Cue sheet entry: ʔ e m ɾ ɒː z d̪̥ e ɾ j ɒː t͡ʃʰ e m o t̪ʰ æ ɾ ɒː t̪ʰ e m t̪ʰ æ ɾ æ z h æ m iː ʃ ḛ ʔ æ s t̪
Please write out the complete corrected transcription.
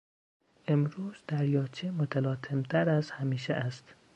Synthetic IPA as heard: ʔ e m ɾ uː z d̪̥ æ ɾ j ɒː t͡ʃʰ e m o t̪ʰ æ l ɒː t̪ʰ e m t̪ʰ æ ɾ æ z h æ m iː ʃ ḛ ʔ æ s t̪

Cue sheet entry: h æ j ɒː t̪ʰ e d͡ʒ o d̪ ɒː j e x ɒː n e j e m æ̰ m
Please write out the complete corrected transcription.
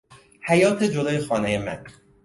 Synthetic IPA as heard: h æ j ɒː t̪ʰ e d͡ʒ o d̪ ɒː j e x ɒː n e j e m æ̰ n

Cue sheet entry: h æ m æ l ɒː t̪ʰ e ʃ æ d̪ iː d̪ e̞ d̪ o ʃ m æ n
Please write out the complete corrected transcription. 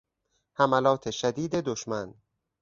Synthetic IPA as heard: h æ m æ l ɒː t̪ʰ e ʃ æ d̪ iː d̪ e̞ d̪ o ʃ m æ n

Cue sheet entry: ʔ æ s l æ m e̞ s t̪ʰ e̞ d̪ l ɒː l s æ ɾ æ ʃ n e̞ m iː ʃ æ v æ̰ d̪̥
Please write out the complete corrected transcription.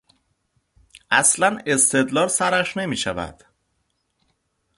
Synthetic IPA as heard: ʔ æ s l æ n e̞ s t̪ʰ e̞ d̪ l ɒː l s æ ɾ æ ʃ n e̞ m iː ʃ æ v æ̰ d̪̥

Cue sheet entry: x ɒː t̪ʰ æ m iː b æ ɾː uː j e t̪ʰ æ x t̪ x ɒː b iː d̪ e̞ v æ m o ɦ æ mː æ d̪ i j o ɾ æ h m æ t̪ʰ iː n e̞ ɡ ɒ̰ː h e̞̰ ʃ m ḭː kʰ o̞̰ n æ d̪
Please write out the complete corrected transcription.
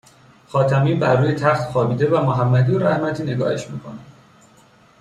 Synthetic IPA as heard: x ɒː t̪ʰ æ m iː b æ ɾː uː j e t̪ʰ æ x t̪ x ɒː b iː d̪ e̞ v æ m o ɦ æ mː æ d̪ i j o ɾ æ h m æ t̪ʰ iː n e̞ ɡ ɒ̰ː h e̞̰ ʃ m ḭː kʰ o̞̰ n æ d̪

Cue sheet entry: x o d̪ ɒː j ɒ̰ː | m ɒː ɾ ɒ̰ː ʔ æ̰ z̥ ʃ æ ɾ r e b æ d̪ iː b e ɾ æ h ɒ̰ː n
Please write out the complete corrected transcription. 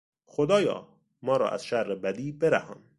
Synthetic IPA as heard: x o d̪ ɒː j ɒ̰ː | m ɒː ɾ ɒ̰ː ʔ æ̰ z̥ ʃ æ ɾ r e b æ d̪ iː b e ɾ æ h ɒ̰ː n

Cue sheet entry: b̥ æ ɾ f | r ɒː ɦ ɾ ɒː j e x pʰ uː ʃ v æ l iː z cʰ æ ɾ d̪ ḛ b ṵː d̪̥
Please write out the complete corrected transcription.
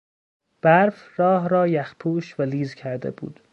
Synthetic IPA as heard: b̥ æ ɾ f | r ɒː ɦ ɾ ɒː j æ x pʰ uː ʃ v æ l iː z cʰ æ ɾ d̪ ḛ b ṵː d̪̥

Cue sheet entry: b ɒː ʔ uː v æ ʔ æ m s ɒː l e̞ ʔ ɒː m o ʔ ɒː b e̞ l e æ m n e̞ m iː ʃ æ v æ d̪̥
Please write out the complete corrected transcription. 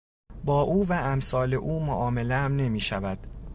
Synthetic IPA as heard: b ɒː ʔ uː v æ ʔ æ m s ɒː l e̞ ʔ uː m o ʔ ɒː m e̞ l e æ m n e̞ m iː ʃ æ v æ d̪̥

